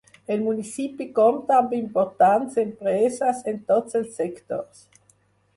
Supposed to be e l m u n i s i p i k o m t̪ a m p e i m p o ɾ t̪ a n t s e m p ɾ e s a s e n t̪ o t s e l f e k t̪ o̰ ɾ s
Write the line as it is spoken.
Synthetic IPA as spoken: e l m u n i s i p i k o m t̪ a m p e i m p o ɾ t̪ a n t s e m p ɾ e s a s e n t̪ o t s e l s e k t̪ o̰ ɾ s